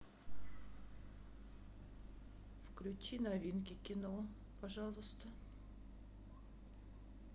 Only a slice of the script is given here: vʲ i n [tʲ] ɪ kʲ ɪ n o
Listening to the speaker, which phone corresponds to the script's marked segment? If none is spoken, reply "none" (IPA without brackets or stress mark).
kʲ